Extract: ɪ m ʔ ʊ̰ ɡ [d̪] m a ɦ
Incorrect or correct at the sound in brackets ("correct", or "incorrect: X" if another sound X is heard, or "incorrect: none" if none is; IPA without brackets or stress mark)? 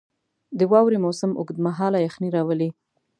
correct